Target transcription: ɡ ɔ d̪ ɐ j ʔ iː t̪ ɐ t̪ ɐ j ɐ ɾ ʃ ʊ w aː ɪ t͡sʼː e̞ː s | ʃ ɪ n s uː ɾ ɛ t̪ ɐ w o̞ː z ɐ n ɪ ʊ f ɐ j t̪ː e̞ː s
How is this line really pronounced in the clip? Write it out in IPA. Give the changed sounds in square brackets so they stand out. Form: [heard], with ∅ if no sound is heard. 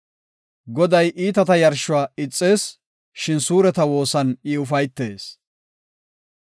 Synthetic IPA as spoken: ɡ ɔ d̪ ɐ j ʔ iː t̪ ɐ t̪ ɐ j ɐ ɾ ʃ ʊ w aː ɪ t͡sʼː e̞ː s | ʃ ɪ n s uː ɾ ɛ t̪ ɐ w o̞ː [s] ɐ n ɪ ʊ f ɐ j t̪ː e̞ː s